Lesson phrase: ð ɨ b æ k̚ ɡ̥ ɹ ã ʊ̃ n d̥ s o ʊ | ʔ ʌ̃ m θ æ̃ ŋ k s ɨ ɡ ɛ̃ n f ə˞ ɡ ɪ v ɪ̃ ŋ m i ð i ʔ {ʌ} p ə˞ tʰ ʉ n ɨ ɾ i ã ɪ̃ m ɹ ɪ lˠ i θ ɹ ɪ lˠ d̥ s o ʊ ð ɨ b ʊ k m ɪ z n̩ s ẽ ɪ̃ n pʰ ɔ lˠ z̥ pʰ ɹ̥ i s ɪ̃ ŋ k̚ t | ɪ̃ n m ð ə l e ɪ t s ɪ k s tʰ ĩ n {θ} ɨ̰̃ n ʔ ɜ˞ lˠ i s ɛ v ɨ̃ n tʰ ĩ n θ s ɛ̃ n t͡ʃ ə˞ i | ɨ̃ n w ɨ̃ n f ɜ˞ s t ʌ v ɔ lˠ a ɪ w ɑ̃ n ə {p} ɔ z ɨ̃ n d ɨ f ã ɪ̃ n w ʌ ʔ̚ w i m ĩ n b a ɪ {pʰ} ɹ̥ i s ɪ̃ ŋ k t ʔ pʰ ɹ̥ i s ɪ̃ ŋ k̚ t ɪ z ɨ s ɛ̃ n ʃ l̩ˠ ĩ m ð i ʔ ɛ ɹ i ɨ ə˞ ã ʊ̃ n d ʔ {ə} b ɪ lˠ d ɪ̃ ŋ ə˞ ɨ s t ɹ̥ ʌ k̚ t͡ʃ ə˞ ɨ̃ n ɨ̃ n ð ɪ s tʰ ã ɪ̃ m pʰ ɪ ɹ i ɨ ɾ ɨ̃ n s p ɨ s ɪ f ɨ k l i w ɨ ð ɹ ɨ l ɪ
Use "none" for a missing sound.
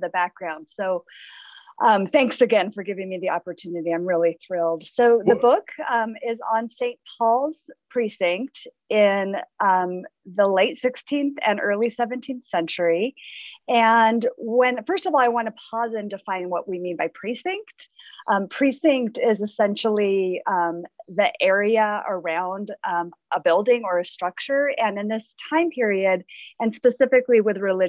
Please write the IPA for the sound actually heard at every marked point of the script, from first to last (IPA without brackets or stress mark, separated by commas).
ɑ, θ, pʰ, pʰ, ə